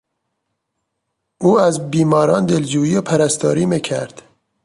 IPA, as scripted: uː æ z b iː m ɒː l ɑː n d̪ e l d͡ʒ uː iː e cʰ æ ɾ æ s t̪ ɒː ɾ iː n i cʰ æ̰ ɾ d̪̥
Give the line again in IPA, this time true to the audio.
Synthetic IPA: uː æ z b iː m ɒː ɾ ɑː n d̪ e l d͡ʒ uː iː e pʰ æ ɾ æ s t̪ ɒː ɾ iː m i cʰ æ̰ ɾ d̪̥